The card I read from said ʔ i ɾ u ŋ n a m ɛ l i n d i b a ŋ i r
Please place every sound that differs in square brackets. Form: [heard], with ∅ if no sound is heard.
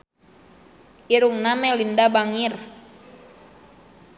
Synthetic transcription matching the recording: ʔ i ɾ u ŋ n a m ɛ l i n d [a] b a ŋ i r